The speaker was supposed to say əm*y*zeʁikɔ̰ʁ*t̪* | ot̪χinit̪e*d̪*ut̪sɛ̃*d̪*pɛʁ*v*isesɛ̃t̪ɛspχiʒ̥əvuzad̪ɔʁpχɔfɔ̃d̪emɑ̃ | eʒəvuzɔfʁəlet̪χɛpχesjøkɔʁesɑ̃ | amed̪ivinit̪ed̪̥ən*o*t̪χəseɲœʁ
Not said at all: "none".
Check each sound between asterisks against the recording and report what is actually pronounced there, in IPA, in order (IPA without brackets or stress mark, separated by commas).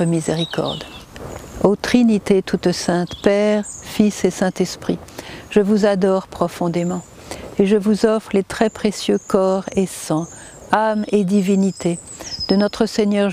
i, d̪, t̪, t̪, f, ɔ